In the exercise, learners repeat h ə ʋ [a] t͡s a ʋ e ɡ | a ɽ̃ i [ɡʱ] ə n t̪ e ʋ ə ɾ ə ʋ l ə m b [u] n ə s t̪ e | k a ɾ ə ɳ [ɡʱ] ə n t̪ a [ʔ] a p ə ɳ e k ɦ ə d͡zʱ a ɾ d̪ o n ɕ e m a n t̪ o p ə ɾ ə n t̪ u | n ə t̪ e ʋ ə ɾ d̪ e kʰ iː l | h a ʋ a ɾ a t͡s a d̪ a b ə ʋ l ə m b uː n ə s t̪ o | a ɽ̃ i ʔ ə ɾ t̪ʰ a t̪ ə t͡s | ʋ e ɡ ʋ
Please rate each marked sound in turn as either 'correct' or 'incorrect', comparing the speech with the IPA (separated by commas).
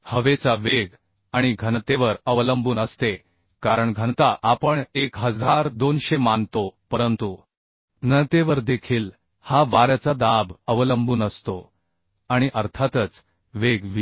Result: incorrect, correct, incorrect, correct, correct